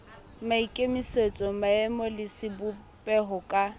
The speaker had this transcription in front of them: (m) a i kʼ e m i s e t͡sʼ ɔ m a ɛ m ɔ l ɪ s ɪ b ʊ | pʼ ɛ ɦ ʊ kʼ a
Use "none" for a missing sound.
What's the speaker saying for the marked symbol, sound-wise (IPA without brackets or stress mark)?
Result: m